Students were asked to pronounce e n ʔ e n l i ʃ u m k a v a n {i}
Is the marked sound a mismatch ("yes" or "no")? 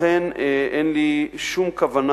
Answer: yes